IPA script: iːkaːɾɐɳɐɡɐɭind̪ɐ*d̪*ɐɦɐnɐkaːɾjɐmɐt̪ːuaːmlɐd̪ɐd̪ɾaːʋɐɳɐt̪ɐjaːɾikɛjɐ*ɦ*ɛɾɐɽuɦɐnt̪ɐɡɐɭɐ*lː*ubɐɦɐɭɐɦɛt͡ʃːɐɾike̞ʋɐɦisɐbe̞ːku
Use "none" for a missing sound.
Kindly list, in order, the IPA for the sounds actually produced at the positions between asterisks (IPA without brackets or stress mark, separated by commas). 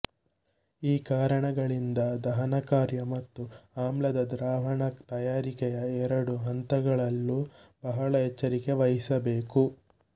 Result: d̪, none, lː